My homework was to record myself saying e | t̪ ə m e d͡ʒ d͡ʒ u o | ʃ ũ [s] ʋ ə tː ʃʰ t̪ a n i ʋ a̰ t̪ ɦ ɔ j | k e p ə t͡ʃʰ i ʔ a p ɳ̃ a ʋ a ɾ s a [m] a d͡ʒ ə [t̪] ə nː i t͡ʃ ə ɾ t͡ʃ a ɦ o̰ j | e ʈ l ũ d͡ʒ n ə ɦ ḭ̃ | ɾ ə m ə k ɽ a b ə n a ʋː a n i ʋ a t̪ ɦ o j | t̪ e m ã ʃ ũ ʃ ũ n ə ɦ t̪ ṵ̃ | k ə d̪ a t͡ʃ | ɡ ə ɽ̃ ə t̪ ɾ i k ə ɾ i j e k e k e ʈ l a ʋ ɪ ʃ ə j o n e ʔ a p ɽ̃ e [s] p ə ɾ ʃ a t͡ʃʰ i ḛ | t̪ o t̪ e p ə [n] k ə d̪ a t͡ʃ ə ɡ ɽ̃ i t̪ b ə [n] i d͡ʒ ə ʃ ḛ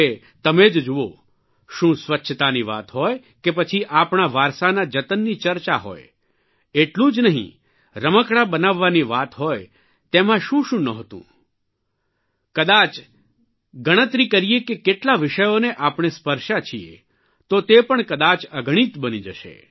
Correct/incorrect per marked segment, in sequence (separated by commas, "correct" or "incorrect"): correct, incorrect, correct, correct, incorrect, correct